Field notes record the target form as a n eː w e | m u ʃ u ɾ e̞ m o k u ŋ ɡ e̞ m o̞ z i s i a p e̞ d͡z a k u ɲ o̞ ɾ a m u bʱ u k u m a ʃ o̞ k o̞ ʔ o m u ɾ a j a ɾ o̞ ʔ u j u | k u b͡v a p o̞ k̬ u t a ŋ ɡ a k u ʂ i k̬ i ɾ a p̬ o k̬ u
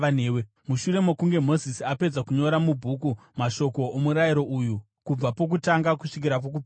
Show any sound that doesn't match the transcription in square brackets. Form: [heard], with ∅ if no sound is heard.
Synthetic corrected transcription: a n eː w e | m u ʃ u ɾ e̞ m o k u ŋ ɡ e̞ m o̞ z i s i a p e̞ d͡z a k u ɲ o̞ ɾ a m u bʱ u k u m a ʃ o̞ k o̞ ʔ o m u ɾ a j [i] ɾ o̞ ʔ u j u | k u b͡v a p o̞ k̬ u t a ŋ ɡ a k u ʂ i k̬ i ɾ a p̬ o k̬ u